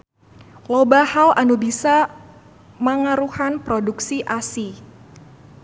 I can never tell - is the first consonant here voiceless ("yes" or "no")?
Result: no